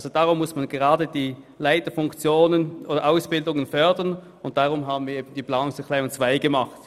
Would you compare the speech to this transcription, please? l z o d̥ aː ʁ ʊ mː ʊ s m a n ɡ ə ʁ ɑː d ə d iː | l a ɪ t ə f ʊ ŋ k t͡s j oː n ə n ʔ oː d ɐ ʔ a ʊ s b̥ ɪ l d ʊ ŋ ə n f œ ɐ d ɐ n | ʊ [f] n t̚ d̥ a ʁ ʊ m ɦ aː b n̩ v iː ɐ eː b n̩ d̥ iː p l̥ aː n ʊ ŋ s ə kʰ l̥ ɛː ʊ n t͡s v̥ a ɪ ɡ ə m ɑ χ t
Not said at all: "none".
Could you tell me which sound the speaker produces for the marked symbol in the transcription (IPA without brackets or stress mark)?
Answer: none